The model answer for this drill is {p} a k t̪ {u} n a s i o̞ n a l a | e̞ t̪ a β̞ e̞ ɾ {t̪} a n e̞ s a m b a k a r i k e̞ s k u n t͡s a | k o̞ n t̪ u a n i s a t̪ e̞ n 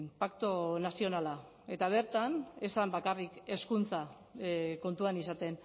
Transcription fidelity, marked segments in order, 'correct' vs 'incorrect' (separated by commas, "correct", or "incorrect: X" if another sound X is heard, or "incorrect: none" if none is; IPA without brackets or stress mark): correct, incorrect: o, correct